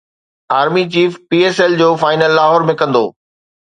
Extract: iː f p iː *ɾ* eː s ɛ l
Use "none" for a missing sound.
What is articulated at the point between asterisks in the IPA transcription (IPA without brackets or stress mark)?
none